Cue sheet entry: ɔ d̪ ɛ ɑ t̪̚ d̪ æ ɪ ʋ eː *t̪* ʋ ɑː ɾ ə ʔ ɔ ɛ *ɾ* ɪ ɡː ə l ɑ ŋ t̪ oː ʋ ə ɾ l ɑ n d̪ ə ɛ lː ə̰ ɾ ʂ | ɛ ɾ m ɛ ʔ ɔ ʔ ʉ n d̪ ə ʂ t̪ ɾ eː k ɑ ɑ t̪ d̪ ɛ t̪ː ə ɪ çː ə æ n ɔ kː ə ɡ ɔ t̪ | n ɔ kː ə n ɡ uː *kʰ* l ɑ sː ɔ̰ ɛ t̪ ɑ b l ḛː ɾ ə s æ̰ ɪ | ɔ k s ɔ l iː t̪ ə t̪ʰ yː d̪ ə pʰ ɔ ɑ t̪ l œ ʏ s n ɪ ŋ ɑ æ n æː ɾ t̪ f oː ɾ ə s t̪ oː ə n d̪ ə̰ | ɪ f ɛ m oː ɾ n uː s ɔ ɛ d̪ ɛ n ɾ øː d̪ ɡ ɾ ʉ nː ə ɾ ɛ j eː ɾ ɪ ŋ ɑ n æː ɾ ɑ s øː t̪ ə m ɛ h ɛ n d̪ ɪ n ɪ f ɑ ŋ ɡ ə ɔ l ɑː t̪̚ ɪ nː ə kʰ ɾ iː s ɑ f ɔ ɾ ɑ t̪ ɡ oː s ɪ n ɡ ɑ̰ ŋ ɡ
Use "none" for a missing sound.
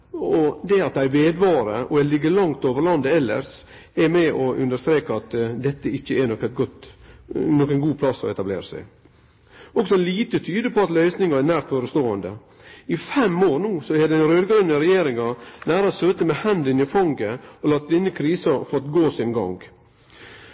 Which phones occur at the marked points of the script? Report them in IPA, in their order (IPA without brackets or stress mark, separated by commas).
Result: d̪, l, pʰ